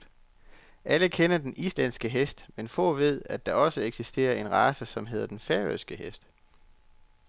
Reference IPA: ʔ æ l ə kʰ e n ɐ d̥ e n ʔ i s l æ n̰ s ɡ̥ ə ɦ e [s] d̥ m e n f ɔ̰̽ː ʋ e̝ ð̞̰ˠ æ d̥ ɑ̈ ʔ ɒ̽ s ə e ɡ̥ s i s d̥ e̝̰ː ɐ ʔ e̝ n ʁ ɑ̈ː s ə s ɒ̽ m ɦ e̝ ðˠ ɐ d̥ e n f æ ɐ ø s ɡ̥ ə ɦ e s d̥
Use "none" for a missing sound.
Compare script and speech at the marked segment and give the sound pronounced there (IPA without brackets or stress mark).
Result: s